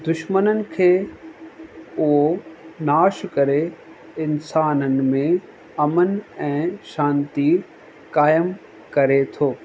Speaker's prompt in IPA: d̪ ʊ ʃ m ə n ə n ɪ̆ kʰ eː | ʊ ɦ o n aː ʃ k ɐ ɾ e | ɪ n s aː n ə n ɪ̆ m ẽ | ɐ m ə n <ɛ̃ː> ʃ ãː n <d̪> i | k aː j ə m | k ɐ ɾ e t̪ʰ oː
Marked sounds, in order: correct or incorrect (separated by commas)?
correct, incorrect